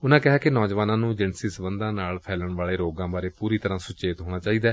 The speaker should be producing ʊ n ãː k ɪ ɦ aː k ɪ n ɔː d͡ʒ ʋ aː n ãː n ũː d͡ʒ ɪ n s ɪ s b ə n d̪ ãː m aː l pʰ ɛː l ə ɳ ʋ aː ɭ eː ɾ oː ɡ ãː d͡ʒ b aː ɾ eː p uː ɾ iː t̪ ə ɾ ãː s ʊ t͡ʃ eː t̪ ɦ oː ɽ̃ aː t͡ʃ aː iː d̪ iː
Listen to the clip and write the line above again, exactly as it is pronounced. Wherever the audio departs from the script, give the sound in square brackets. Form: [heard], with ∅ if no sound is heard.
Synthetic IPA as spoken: ʊ n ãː k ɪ ɦ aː k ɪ n ɔː d͡ʒ ʋ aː n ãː n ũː d͡ʒ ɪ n s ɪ s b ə n d̪ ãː [n] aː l pʰ ɛː l ə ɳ ʋ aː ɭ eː ɾ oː ɡ ãː [∅] b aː ɾ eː p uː ɾ iː t̪ ə ɾ ãː s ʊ t͡ʃ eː t̪ ɦ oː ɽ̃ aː t͡ʃ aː iː d̪ [aː]